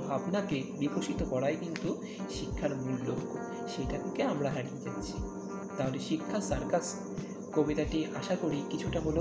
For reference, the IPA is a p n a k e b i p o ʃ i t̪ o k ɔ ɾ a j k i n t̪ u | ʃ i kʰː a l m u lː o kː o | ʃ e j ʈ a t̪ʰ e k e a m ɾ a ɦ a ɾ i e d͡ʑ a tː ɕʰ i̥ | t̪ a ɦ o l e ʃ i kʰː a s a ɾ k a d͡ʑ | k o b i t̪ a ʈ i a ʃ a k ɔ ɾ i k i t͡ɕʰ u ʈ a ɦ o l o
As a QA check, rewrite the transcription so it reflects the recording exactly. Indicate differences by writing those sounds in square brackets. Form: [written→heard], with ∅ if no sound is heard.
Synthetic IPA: a p n a k e b i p o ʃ i t̪ o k ɔ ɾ a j k i n t̪ u | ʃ i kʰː a [l→ɾ] m u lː o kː o | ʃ e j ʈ a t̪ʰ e k e a m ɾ a ɦ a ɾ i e d͡ʑ a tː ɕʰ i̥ | t̪ a ɦ o l e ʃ i kʰː a s a ɾ k a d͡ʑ | k o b i t̪ a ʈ i a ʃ a k [ɔ→o] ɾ i k i t͡ɕʰ u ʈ a ɦ o l o